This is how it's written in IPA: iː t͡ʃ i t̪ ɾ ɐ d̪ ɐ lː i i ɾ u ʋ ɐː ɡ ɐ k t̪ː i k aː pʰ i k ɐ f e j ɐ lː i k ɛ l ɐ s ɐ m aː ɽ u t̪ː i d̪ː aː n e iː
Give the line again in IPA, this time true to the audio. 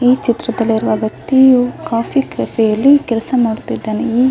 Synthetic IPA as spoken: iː t͡ʃ i t̪ ɾ ɐ d̪ ɐ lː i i ɾ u ʋ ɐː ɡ ɐ k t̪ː i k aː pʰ i k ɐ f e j ɐ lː i k ɛ l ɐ s ɐ m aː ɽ u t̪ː i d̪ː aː n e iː